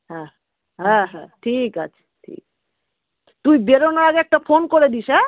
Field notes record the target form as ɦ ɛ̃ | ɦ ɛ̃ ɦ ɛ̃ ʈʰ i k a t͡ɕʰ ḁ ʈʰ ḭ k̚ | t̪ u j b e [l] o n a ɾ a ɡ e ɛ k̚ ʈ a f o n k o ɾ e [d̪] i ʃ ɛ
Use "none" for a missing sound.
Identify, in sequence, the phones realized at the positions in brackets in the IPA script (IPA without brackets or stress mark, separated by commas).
ɾ, d̪